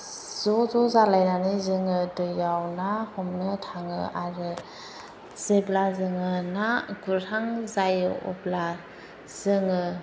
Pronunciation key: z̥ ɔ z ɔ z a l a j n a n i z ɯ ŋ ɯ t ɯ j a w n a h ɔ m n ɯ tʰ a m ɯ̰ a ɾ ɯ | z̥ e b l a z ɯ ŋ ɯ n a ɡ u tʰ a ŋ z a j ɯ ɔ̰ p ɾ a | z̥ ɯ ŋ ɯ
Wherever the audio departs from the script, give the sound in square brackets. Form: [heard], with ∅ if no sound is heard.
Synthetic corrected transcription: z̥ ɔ z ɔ z a l a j n a n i z ɯ ŋ ɯ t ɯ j a w n a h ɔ m n ɯ tʰ a [ŋ] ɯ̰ a ɾ ɯ | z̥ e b l a z ɯ ŋ ɯ n a ɡ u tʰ a ŋ z a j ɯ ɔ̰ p [l] a | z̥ ɯ ŋ ɯ